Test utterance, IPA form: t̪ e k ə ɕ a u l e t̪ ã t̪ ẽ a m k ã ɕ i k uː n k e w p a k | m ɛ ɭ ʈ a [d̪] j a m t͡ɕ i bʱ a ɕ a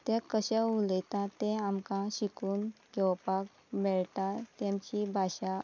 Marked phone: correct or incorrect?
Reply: incorrect